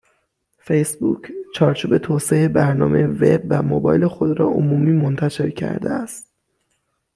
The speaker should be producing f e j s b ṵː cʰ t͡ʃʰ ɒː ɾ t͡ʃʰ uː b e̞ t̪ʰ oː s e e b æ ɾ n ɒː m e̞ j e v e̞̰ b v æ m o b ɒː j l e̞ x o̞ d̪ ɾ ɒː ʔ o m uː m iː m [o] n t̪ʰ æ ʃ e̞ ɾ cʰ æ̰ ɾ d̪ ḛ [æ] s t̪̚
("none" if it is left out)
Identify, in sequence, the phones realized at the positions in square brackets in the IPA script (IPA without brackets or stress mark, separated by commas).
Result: o, æ